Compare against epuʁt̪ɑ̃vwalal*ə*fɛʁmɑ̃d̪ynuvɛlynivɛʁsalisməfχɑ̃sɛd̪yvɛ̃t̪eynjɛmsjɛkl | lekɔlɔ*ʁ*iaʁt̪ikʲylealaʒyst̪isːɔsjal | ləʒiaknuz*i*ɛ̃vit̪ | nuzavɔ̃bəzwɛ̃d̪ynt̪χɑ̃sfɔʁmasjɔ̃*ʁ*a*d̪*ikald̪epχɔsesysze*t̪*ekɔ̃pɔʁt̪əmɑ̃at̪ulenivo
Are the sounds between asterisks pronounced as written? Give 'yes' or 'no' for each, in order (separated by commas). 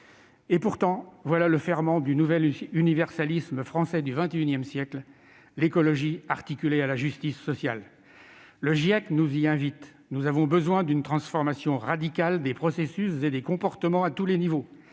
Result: yes, no, yes, yes, yes, no